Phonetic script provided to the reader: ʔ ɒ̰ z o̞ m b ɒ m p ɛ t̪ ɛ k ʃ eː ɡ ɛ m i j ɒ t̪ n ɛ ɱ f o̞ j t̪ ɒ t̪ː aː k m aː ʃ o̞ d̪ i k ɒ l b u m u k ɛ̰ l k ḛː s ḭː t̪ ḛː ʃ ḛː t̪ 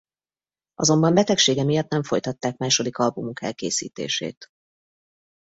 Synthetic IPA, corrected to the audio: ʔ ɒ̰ z o̞ m b ɒ m b ɛ t̪ ɛ k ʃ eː ɡ ɛ m i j ɒ t̪ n ɛ ɱ f o̞ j t̪ ɒ t̪ː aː k m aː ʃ o̞ d̪ i k ɒ l b u m u k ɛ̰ l k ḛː s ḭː t̪ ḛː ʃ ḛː t̪